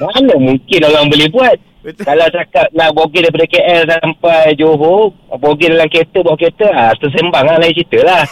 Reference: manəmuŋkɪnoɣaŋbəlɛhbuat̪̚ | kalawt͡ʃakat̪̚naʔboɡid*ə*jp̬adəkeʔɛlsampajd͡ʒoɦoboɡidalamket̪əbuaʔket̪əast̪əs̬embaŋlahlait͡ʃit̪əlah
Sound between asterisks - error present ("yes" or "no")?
yes